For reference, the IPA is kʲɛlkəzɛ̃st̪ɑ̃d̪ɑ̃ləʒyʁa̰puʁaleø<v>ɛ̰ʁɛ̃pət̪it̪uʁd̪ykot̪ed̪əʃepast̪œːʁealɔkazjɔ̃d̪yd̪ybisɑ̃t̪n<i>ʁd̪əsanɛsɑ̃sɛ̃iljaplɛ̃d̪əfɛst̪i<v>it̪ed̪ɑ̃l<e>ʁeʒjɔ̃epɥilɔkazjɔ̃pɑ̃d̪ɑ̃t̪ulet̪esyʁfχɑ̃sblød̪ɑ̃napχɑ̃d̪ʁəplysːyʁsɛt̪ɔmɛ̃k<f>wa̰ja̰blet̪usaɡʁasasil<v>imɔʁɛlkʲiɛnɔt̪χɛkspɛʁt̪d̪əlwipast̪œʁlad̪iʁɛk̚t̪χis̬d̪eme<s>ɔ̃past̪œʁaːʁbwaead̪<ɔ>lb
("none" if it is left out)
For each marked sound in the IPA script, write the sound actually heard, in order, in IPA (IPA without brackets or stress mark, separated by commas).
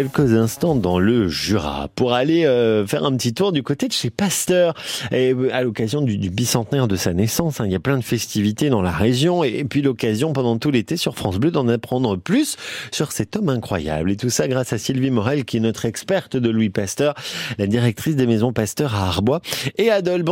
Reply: f, ɛ, v, a, χ, v, z, ɔ